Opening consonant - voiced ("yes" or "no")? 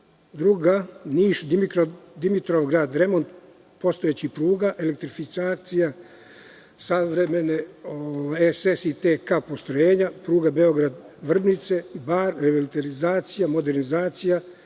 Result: yes